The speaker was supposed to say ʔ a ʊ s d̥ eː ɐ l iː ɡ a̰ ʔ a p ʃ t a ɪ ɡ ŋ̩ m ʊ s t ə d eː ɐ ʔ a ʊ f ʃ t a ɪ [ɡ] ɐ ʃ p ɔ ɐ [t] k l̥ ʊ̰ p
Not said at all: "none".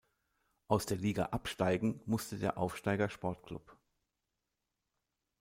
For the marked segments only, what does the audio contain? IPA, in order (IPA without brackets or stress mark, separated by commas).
ɡ, t